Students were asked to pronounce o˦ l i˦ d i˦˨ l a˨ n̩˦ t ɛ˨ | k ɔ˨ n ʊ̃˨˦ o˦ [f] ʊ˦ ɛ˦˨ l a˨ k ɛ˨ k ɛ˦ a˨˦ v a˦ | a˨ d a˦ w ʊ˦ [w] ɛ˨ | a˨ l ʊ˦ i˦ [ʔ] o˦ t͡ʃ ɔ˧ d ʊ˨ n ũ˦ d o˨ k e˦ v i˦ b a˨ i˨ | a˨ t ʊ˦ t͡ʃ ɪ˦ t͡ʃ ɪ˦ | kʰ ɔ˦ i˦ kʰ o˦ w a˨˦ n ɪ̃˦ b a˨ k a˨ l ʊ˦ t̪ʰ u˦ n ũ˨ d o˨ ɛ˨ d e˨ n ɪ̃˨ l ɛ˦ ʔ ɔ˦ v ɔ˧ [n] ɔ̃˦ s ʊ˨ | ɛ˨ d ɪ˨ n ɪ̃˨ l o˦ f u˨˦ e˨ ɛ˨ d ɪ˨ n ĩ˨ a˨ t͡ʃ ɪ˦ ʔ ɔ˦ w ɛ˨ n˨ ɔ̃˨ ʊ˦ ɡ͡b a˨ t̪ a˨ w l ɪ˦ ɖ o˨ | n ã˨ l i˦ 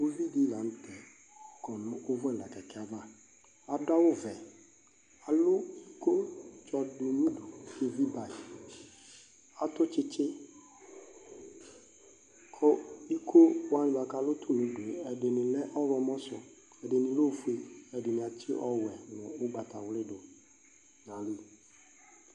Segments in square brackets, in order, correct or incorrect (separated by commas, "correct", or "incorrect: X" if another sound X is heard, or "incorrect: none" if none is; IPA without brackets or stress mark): incorrect: v, incorrect: v, incorrect: k, incorrect: m